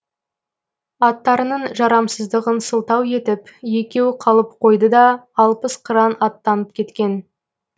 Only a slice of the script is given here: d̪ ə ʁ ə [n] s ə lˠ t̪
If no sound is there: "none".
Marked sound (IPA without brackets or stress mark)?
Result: n